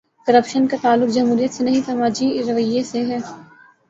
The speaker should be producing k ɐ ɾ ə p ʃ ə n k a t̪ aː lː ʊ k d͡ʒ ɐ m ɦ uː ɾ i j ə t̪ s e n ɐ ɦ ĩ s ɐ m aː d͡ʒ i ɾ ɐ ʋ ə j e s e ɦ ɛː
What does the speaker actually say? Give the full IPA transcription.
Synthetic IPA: k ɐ ɾ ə p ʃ ə n k a t̪ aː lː ʊ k d͡ʒ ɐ m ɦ uː ɾ i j ə t̪ s e n ɐ ɦ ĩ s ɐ m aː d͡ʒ i ɾ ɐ ʋ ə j e s e ɦ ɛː